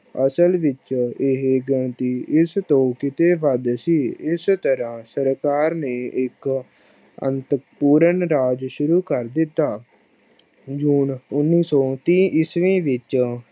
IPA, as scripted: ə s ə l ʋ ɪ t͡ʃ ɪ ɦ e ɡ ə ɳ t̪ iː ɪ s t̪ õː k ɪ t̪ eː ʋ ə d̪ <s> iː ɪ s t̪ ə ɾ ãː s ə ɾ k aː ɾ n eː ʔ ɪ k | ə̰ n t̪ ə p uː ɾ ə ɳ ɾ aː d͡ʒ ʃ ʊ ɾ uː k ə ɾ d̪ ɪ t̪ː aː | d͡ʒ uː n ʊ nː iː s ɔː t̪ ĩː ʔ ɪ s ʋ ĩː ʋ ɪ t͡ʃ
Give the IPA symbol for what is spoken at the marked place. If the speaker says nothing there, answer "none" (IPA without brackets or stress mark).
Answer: s